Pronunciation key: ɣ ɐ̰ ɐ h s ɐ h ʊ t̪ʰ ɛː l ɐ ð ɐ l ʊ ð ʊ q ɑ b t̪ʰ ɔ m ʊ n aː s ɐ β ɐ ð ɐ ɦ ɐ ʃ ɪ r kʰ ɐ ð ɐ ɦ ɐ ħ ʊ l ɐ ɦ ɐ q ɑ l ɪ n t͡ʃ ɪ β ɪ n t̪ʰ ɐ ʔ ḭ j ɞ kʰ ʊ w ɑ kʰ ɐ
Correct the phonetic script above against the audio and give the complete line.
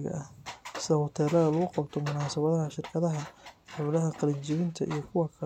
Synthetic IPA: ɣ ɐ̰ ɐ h s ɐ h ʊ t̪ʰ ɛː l ɐ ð ɐ l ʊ ɣ ʊ q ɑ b t̪ʰ ɔ m ʊ n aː s ɐ β ɐ ð ɐ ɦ ɐ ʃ ɪ r kʰ ɐ ð ɐ ɦ ɐ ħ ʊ l ɐ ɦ ɐ q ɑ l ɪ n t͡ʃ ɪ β ɪ n t̪ʰ ɐ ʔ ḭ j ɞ kʰ ʊ w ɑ kʰ ɐ